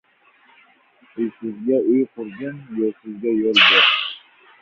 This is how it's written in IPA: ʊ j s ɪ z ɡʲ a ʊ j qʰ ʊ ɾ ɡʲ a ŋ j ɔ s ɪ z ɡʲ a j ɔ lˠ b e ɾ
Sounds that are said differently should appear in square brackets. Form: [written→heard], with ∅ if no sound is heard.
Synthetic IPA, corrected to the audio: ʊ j s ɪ z ɡʲ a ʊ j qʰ ʊ ɾ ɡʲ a [ŋ→n] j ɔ s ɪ z ɡʲ a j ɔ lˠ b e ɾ